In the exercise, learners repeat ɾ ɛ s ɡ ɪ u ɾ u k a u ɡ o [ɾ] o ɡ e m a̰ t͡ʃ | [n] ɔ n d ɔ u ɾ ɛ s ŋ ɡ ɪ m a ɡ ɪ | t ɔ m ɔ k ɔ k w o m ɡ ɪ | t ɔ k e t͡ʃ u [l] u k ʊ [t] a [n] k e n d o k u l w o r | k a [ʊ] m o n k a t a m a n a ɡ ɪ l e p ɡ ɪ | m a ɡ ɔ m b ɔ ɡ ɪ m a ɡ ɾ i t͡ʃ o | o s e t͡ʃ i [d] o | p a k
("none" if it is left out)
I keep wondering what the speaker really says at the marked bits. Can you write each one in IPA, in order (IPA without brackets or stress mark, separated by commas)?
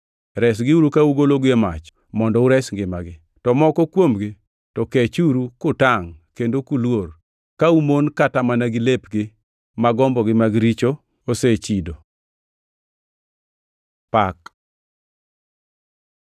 l, m, ɾ, t, ŋ, u, d